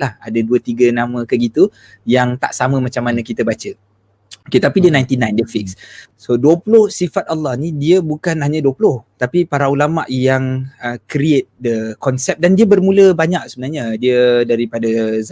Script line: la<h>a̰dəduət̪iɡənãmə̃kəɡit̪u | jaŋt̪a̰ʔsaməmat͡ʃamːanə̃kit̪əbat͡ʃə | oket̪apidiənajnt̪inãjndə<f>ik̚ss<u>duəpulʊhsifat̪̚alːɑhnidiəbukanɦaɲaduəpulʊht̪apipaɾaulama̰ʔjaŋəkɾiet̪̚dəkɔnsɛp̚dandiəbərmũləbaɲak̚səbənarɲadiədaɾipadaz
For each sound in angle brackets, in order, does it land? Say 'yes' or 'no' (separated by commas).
yes, yes, no